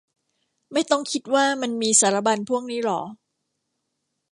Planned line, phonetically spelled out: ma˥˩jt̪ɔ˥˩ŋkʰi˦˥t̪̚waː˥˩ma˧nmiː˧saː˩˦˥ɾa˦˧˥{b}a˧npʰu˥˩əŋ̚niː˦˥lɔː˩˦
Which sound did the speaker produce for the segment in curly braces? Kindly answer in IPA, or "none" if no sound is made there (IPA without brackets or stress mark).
b